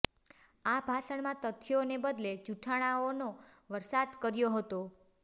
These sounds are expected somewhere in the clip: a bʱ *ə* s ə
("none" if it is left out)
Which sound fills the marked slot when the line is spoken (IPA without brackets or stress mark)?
a